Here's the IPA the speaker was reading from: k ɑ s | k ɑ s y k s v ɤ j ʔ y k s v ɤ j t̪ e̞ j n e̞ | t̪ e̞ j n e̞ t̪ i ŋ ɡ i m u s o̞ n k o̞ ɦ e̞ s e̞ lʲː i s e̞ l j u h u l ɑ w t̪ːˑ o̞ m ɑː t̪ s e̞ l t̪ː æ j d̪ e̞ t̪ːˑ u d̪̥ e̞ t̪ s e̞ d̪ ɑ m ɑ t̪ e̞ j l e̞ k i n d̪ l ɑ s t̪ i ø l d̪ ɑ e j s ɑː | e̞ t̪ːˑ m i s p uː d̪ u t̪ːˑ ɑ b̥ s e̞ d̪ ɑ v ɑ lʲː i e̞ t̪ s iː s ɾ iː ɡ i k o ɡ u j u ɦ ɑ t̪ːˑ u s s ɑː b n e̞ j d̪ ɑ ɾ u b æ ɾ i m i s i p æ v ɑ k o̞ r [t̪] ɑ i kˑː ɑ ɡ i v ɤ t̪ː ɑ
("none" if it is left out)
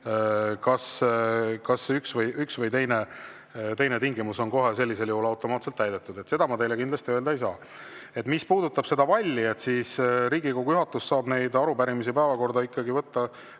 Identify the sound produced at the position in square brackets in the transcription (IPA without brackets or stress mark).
d̪